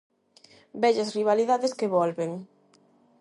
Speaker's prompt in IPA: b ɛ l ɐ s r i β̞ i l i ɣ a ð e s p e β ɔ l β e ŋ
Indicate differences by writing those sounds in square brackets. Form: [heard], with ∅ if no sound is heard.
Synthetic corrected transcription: b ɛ [ʎ] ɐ s r i β̞ [a] l i [ð] a ð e s [k] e β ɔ l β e ŋ